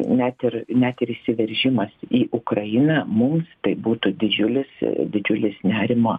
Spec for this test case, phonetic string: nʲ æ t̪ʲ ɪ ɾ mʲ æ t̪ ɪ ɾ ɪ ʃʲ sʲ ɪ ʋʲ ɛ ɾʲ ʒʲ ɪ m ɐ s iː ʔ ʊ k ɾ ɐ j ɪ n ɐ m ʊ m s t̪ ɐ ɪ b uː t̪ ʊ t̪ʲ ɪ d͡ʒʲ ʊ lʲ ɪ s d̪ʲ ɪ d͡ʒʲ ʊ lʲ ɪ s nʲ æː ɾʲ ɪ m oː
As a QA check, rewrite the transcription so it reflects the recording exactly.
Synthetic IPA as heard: nʲ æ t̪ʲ ɪ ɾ nʲ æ t̪ ɪ ɾ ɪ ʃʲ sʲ ɪ ʋʲ ɛ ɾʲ ʒʲ ɪ m ɐ s iː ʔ ʊ k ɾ ɐ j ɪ n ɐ m ʊ m s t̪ ɐ ɪ b uː t̪ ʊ d̪ʲ ɪ d͡ʒʲ ʊ lʲ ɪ s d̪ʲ ɪ d͡ʒʲ ʊ lʲ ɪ s nʲ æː ɾʲ ɪ m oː